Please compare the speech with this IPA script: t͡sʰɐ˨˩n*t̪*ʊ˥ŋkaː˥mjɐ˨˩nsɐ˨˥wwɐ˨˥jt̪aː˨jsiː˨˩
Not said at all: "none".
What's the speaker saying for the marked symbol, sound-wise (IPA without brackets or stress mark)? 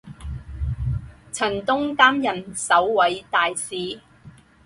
t̪